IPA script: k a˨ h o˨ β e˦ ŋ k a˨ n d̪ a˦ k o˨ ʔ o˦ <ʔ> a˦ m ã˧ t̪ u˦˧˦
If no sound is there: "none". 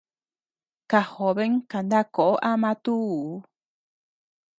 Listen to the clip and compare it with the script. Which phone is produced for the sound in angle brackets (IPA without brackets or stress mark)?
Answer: ʔ